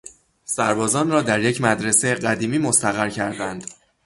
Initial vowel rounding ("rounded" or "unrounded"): unrounded